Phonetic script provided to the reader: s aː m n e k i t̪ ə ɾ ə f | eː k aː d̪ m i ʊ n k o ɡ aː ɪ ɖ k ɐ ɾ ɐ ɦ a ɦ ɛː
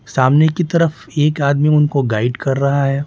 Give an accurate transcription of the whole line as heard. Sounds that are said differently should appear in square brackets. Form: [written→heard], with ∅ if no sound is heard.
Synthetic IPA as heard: s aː m n e k i t̪ [ə→ɐ] ɾ ə f | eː k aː d̪ m i ʊ n k o ɡ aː ɪ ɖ k ɐ [ɾ→ɾː] ɐ ɦ a ɦ ɛː